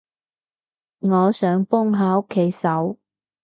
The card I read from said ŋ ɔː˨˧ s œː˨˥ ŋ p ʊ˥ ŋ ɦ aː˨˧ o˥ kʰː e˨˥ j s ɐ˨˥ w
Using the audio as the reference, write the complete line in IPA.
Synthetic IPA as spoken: ŋ ɔː˨˧ s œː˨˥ ŋ p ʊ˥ ŋ ɦ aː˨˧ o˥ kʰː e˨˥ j s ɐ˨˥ w